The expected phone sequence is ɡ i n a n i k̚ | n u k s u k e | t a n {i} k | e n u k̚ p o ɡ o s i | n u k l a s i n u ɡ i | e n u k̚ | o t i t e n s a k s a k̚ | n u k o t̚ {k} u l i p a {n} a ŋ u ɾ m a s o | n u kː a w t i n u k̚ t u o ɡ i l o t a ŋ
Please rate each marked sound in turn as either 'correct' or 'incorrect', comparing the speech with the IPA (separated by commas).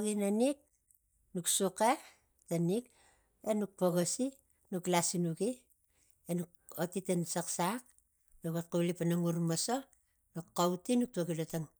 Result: correct, correct, correct